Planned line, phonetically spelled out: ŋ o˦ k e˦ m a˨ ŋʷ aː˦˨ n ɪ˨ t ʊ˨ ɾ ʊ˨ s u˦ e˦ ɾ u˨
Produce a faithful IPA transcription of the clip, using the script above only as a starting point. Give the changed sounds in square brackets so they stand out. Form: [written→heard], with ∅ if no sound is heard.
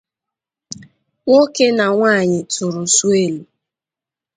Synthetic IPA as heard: ŋ o˦ k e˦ [m→n] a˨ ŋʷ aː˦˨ [n→ɲ] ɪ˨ t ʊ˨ ɾ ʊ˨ s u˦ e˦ [ɾ→l] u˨